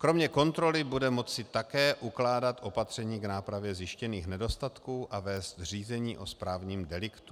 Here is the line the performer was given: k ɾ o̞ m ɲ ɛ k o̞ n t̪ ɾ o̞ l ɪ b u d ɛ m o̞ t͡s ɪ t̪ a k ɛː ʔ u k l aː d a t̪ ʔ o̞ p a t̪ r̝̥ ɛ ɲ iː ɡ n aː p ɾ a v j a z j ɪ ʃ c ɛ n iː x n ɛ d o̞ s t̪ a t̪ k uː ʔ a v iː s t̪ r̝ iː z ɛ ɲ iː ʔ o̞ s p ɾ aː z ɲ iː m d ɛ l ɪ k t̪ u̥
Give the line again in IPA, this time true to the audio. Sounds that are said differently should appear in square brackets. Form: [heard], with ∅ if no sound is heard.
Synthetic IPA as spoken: k ɾ o̞ m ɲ ɛ k o̞ n t̪ ɾ o̞ l ɪ b u d ɛ m o̞ t͡s ɪ t̪ a k ɛː ʔ u k l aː d a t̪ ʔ o̞ p a t̪ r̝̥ ɛ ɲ iː ɡ n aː p ɾ a v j [ɛ] z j ɪ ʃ c ɛ n iː x n ɛ d o̞ s t̪ a t̪ k uː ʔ a v [ɛː] s t̪ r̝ iː z ɛ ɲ iː ʔ o̞ s p ɾ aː [v] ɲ iː m d ɛ l ɪ k t̪ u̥